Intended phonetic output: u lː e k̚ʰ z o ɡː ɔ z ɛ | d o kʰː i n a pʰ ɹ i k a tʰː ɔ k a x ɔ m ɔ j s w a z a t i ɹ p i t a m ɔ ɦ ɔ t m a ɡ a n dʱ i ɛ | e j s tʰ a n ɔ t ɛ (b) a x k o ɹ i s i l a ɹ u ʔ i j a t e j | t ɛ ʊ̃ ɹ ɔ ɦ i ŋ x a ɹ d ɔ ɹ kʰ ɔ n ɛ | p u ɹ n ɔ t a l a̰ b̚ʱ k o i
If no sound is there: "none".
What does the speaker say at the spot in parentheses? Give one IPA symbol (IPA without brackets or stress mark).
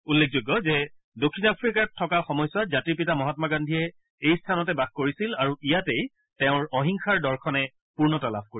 b